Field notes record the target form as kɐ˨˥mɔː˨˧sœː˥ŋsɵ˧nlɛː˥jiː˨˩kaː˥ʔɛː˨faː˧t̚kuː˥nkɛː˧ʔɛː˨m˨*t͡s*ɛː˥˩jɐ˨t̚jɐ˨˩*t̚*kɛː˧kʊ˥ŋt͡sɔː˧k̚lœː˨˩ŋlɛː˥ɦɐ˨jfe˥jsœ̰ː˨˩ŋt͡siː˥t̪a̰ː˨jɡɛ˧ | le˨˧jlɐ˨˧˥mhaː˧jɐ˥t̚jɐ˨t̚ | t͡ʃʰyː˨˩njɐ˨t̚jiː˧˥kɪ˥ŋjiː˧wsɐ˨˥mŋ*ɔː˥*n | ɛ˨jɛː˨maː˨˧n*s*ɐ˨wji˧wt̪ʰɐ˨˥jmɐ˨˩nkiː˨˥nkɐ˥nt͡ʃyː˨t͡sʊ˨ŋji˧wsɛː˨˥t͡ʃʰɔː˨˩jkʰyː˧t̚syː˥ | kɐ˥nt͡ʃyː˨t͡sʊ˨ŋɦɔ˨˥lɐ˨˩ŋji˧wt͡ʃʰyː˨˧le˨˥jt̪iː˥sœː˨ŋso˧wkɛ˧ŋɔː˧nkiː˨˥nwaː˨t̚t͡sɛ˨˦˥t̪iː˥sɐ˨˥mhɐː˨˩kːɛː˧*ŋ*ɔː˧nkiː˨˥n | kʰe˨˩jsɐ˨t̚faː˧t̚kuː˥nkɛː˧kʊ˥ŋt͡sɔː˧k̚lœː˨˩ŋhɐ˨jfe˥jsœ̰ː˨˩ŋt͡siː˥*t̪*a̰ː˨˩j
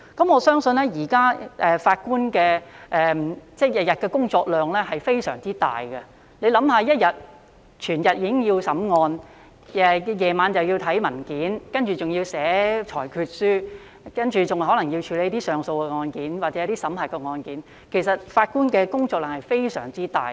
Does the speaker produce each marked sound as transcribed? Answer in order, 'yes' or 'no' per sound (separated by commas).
yes, yes, no, no, yes, yes